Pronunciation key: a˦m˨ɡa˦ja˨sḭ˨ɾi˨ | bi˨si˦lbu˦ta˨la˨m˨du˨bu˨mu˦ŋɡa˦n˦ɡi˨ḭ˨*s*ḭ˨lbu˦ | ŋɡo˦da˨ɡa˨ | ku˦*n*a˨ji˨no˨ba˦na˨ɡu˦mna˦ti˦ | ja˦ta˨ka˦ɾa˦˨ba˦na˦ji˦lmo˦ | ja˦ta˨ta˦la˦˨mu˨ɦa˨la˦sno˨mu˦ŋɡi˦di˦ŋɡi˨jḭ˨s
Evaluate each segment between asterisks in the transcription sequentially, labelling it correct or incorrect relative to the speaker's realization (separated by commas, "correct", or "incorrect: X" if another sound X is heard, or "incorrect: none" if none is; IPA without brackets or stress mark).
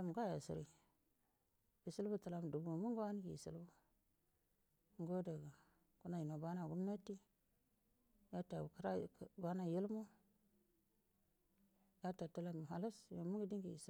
correct, correct